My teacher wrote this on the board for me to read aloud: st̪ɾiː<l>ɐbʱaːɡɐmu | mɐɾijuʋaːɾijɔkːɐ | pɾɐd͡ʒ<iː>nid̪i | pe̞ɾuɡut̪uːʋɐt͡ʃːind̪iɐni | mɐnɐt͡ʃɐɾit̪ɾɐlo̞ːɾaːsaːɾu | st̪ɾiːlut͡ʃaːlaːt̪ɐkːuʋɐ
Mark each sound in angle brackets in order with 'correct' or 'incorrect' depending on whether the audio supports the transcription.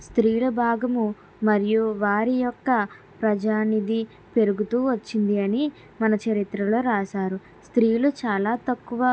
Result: correct, incorrect

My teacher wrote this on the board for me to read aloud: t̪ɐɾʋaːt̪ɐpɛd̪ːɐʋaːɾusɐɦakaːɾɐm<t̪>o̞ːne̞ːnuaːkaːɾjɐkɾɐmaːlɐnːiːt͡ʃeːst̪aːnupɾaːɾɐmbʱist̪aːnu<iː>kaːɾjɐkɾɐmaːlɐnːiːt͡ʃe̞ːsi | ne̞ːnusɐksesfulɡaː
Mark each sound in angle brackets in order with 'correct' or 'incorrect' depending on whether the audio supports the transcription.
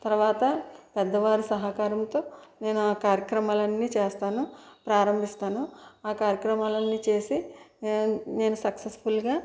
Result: correct, incorrect

